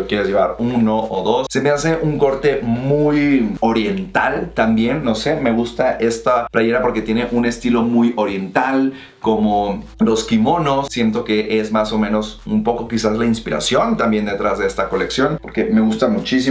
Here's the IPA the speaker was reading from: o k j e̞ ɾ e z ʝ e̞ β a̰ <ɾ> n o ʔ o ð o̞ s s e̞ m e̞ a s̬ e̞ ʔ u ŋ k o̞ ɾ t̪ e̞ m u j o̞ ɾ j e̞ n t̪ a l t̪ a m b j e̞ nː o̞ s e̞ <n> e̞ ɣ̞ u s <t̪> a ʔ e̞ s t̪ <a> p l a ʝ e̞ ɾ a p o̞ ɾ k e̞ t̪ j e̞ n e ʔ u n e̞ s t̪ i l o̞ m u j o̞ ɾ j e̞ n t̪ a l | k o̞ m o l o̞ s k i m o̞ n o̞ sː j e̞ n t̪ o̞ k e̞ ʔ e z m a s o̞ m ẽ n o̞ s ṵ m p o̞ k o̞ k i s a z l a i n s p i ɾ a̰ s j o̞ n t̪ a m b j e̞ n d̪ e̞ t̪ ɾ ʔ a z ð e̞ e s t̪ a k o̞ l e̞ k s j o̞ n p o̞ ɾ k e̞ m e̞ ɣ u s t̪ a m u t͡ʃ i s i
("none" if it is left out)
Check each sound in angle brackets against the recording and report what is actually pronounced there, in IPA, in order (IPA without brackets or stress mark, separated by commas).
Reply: ɾ, m, t̪, a